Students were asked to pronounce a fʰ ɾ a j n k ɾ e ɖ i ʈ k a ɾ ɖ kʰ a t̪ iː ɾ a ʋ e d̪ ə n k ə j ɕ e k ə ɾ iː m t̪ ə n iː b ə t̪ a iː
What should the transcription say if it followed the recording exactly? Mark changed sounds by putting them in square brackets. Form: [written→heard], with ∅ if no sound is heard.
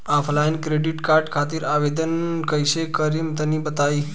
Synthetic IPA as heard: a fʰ [ɾ→l] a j n k ɾ e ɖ i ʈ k a ɾ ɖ kʰ a t̪ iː ɾ a ʋ e d̪ ə n k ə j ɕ e k ə ɾ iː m t̪ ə n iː b ə t̪ a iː